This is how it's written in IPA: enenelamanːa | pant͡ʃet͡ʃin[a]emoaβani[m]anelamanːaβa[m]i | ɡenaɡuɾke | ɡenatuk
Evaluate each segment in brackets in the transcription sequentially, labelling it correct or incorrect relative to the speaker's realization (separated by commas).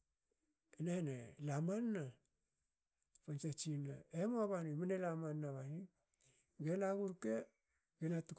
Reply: correct, correct, incorrect